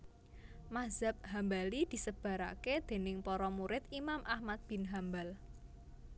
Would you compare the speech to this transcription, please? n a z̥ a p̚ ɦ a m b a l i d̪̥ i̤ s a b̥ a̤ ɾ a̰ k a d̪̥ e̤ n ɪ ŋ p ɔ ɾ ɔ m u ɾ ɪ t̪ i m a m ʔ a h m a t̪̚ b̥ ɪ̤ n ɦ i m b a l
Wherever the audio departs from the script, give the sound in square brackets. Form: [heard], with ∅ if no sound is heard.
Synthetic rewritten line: [m] a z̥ a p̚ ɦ a m b a l i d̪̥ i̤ s [ə] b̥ a̤ ɾ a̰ k [e] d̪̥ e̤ n ɪ ŋ p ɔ ɾ ɔ m u ɾ ɪ t̪ i m a m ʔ a h m a t̪̚ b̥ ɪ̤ n ɦ [a] m b a l